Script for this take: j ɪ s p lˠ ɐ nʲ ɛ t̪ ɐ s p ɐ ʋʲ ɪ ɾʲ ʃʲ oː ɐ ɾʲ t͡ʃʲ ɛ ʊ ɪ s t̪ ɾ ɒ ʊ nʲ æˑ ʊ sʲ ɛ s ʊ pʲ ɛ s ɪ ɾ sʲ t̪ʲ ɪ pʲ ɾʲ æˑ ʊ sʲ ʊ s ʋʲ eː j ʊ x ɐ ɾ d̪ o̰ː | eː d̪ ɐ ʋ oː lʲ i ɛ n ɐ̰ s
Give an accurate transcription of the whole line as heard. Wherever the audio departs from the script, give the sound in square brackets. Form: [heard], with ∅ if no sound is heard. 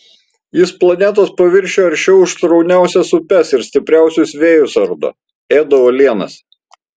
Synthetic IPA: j ɪ s p lˠ ɐ nʲ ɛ t̪ ɐ s p ɐ ʋʲ ɪ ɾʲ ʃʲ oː ɐ ɾʲ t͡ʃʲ ɛ ʊ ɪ [ʃ] t̪ ɾ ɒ ʊ nʲ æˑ ʊ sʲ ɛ s ʊ pʲ ɛ s ɪ ɾ sʲ t̪ʲ ɪ pʲ ɾʲ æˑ ʊ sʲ ʊ s ʋʲ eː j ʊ [s] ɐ ɾ d̪ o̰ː | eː d̪ ɐ ʋ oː lʲ i ɛ n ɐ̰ s

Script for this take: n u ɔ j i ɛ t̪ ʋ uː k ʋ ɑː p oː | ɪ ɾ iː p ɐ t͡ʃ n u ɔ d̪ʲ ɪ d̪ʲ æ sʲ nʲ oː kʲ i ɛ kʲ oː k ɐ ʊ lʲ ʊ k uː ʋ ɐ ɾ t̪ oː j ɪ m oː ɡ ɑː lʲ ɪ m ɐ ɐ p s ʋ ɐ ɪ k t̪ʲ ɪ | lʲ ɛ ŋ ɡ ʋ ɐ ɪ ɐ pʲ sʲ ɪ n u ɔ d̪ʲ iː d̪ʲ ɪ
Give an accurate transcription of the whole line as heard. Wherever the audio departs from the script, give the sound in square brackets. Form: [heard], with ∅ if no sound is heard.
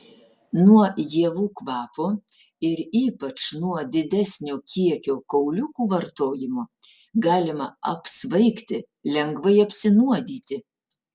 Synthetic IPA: n u ɔ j i ɛ [∅] ʋ uː k ʋ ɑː p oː | ɪ ɾ iː p ɐ t͡ʃ n u ɔ d̪ʲ ɪ d̪ʲ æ sʲ nʲ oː kʲ i ɛ kʲ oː k ɐ ʊ lʲ ʊ k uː ʋ ɐ ɾ t̪ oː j ɪ m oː ɡ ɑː lʲ ɪ m ɐ ɐ p s ʋ ɐ ɪ k t̪ʲ ɪ | lʲ ɛ ŋ ɡ ʋ ɐ ɪ ɐ pʲ sʲ ɪ n u ɔ d̪ʲ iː [t̪ʲ] ɪ

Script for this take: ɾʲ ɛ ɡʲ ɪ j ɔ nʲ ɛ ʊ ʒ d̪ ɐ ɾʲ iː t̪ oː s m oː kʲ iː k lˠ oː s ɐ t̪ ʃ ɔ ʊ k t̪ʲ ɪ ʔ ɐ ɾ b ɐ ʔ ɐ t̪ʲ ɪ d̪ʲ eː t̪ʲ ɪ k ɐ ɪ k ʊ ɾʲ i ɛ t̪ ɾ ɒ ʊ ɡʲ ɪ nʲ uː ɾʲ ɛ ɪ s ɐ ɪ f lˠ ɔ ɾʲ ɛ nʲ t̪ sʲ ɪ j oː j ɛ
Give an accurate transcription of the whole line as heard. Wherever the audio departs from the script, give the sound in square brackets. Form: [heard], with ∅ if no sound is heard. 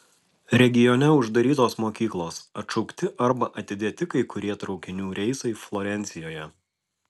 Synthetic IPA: ɾʲ ɛ ɡʲ ɪ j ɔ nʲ ɛ ʊ ʒ d̪ ɐ ɾʲ iː t̪ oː s m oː kʲ iː k lˠ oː s ɐ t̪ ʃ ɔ ʊ k t̪ʲ ɪ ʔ ɐ ɾ b ɐ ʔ ɐ t̪ʲ ɪ d̪ʲ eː t̪ʲ ɪ k ɐ ɪ k ʊ ɾʲ i ɛ t̪ ɾ ɒ ʊ [kʲ] ɪ nʲ uː ɾʲ ɛ ɪ s ɐ ɪ f lˠ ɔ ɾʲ ɛ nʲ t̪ sʲ ɪ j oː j ɛ

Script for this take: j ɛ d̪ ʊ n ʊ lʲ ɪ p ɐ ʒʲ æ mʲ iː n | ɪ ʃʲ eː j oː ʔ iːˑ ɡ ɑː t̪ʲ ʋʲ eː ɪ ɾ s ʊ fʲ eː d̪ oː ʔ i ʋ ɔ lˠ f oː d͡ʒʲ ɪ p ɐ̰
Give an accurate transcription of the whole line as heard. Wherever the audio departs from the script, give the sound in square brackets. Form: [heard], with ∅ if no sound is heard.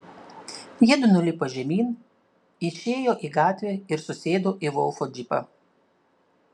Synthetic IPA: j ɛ d̪ ʊ n ʊ lʲ ɪ p ɐ ʒʲ [ɛ] mʲ iː n | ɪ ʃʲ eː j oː ʔ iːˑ ɡ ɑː t̪ʲ ʋʲ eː ɪ ɾ s ʊ [sʲ] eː d̪ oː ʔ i ʋ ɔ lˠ f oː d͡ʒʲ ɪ p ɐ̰

